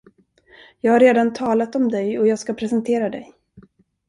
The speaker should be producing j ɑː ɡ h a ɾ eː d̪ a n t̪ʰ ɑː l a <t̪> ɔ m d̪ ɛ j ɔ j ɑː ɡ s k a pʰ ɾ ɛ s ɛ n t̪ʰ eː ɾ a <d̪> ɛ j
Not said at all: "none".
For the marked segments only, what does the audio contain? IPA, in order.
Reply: t̪, d̪

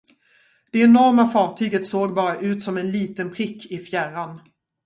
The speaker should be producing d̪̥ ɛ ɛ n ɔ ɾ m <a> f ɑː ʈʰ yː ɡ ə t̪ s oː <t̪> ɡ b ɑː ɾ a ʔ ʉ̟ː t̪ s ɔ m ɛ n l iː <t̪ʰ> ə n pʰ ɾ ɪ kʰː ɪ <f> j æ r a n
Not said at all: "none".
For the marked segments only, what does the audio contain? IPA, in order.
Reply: a, none, t̪, f

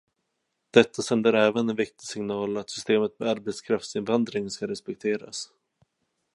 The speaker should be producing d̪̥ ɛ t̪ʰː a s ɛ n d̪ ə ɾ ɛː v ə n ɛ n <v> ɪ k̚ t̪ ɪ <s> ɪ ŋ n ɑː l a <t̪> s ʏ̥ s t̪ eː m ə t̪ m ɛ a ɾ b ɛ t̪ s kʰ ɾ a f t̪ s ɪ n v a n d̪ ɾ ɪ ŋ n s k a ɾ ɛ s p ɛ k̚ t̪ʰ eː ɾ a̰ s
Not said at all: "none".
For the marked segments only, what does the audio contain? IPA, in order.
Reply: v, s, t̪

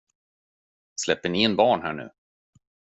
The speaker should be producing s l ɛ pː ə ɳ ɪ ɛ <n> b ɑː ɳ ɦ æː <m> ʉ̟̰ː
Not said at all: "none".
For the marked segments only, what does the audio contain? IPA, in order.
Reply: n, ɳ

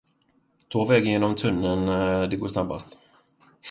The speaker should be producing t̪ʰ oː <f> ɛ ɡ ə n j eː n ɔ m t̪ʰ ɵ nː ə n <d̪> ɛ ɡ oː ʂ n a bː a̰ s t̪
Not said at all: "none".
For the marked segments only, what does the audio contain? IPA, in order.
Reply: v, d̪

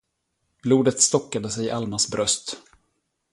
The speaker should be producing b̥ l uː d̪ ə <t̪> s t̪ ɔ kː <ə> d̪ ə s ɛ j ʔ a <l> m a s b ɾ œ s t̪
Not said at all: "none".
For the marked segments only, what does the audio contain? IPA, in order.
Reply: t̪, a, l

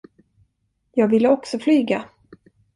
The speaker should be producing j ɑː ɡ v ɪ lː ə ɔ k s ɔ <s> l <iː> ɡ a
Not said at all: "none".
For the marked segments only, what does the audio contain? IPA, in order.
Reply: f, yː

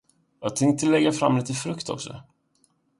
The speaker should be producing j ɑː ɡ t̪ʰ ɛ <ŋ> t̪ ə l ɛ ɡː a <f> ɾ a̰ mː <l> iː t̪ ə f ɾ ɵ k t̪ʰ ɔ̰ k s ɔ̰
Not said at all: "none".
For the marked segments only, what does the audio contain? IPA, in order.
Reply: ŋ, f, l

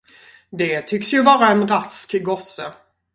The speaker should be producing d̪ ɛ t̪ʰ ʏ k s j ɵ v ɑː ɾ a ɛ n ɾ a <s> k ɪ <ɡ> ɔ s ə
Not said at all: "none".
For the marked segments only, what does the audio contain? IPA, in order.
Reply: s, ɡ

